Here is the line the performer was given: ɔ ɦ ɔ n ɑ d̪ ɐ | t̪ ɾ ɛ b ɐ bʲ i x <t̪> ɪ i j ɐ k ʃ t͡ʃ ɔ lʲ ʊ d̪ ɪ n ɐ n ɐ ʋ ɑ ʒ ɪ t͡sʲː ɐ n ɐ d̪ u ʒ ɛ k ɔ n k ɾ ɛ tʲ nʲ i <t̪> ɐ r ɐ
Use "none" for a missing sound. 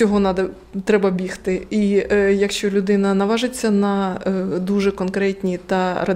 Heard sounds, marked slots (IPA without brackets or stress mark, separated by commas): t̪, t̪